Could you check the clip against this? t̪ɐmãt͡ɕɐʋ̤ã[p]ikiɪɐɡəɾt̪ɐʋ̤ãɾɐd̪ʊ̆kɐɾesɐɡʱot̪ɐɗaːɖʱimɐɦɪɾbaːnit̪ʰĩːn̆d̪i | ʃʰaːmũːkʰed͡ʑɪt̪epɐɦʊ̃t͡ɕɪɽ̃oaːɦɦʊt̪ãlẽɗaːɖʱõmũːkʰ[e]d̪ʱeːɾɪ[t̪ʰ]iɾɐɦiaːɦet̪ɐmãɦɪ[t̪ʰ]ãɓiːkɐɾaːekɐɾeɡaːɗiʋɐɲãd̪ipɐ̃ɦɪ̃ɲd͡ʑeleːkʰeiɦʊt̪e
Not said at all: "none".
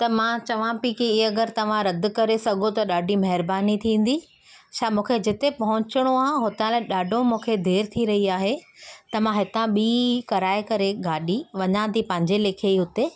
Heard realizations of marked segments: p, e, t̪ʰ, t̪

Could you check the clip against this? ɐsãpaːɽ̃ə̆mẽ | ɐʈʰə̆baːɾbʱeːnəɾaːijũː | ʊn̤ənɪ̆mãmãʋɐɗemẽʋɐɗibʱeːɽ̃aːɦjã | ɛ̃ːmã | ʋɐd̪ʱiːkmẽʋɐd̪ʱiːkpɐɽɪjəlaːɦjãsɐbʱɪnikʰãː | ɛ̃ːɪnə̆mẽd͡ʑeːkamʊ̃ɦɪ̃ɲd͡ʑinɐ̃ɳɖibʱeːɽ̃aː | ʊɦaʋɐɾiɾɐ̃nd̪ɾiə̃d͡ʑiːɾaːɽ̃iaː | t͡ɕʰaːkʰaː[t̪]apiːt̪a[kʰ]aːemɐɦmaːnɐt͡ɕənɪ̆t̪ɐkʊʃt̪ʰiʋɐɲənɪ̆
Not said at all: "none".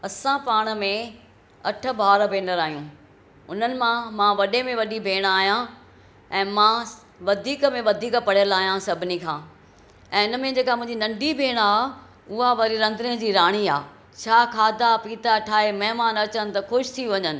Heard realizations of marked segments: d̪, ʈʰ

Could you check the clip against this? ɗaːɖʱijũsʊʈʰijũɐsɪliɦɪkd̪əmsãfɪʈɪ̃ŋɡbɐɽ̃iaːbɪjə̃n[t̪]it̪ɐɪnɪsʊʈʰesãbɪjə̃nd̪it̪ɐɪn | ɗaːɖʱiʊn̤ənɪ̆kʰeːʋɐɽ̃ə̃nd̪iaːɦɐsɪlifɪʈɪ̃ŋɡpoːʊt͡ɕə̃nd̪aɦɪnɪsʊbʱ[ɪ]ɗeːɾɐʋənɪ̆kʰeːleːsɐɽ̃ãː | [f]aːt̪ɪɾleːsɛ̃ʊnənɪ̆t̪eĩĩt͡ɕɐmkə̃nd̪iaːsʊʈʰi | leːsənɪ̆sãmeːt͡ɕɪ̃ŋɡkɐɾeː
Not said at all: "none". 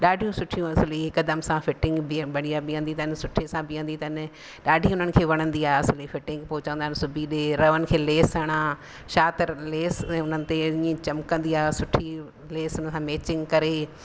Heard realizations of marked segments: d̪, i, ʃ

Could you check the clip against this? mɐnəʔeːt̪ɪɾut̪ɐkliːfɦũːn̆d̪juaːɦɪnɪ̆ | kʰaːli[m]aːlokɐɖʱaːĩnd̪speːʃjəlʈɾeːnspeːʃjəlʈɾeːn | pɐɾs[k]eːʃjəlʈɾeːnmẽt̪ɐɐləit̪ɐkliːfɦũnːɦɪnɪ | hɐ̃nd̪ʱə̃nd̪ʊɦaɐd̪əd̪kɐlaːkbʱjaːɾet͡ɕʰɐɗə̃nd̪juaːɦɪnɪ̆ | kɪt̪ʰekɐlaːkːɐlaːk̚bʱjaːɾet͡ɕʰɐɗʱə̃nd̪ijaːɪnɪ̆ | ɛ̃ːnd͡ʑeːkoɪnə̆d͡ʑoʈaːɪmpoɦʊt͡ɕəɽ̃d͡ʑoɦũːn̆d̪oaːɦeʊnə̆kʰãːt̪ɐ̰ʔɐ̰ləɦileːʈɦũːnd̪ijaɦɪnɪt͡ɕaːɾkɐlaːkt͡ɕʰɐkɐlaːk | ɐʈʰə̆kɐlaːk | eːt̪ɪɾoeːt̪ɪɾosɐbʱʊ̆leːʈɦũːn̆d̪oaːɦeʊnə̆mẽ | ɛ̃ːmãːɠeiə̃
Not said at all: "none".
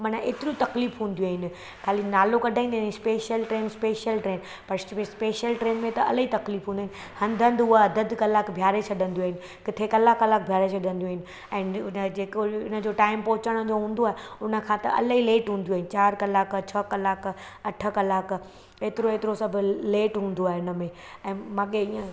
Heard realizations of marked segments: n, p

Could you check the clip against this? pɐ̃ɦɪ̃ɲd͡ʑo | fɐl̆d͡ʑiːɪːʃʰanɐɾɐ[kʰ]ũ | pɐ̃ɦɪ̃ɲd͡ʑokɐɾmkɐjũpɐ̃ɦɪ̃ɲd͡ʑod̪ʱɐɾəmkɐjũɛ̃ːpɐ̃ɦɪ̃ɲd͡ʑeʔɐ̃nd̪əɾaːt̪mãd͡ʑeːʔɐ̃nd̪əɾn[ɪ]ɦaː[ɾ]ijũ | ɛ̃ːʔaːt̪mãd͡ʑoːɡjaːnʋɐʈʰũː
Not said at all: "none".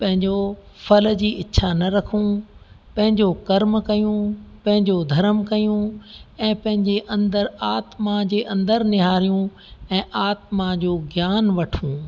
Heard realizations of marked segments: kʰ, ɪ, ɾ

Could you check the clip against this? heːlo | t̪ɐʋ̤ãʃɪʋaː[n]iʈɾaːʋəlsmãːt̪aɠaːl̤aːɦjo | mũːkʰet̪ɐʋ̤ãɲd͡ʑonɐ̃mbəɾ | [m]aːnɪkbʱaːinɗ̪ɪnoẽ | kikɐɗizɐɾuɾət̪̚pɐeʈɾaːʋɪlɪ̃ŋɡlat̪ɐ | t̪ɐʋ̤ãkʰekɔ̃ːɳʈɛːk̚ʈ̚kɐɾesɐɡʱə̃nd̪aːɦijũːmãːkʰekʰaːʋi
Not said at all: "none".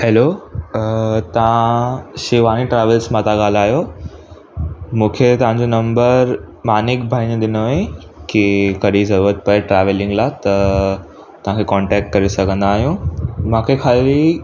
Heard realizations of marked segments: n, m

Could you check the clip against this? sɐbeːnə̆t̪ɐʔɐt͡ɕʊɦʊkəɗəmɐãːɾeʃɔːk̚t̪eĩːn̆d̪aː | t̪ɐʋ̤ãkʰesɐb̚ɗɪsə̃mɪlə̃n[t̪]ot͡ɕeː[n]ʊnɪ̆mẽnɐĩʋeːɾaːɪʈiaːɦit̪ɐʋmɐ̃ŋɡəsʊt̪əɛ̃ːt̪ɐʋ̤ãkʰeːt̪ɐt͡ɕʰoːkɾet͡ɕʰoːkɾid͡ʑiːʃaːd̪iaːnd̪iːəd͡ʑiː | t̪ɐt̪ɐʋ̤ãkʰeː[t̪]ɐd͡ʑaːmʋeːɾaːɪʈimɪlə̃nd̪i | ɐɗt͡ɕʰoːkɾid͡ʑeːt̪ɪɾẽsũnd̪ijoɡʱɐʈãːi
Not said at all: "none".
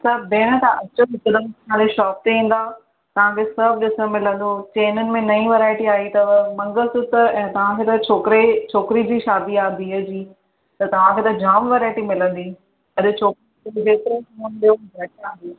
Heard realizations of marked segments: d̪, n, t̪

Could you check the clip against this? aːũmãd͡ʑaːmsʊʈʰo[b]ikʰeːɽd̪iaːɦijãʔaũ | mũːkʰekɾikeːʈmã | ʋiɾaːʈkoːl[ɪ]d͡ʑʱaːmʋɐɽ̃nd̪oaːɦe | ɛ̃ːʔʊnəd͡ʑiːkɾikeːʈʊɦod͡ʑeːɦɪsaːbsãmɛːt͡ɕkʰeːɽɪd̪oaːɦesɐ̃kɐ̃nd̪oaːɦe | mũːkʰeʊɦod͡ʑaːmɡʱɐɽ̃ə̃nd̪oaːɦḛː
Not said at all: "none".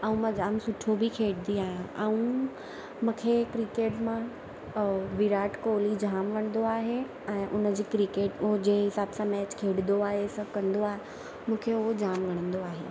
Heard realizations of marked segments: b, i

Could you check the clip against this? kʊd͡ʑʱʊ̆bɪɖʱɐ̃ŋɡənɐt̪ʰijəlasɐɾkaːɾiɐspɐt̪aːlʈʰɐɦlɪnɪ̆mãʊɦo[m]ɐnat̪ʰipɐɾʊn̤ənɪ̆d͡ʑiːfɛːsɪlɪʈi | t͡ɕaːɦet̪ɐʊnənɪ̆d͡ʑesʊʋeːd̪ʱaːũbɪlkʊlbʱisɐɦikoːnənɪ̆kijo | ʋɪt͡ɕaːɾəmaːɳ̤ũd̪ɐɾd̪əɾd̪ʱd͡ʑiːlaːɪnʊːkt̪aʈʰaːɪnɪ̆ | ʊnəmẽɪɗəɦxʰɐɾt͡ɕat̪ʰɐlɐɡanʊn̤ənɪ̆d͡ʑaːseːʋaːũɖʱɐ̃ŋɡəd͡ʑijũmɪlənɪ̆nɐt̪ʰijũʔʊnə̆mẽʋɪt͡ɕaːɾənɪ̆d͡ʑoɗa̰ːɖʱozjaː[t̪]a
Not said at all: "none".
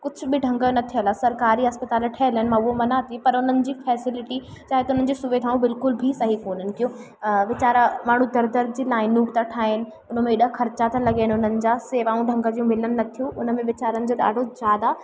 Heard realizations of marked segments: m, d̪

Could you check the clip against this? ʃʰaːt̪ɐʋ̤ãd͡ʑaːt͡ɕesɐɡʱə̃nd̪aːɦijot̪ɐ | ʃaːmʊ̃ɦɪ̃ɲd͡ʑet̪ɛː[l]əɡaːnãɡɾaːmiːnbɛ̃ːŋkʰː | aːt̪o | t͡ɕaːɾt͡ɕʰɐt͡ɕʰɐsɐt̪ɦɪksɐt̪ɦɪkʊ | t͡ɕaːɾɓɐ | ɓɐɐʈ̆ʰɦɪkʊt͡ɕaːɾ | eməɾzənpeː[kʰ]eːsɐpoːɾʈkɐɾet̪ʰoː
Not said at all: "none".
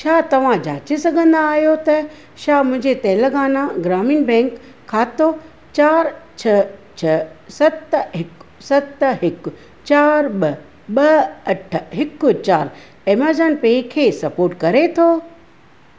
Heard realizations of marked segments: l, kʰ

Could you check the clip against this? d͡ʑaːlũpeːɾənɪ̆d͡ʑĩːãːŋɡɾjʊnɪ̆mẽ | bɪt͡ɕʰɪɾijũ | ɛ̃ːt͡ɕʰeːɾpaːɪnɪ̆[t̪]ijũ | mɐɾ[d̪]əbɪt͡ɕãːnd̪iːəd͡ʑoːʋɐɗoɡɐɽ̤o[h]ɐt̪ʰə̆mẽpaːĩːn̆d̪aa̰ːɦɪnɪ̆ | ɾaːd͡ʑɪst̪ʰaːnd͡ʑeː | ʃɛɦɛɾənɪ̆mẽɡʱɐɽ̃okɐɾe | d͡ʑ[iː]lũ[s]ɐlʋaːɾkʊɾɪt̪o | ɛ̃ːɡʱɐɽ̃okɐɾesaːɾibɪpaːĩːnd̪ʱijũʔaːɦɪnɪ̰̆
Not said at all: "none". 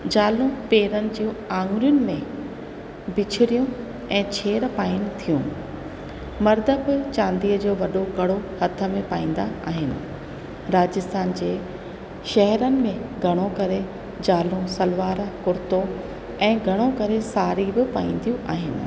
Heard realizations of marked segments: t̪ʰ, d̪, h, aː, s

